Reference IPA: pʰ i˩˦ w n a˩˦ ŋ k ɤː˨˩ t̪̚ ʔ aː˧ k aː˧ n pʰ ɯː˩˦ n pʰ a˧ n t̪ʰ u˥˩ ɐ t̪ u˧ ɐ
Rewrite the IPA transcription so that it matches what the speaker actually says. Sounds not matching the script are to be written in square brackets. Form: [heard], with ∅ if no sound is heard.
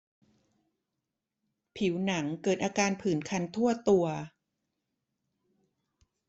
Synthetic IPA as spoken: pʰ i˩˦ w n a˩˦ ŋ k ɤː˨˩ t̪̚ ʔ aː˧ k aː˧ n pʰ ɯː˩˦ n [kʰ] a˧ n t̪ʰ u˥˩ ɐ t̪ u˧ ɐ